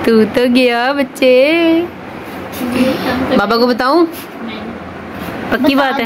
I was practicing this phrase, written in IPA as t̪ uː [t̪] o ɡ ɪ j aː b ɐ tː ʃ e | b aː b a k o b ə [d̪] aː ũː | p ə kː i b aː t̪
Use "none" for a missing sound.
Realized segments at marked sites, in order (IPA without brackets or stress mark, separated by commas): t̪, t̪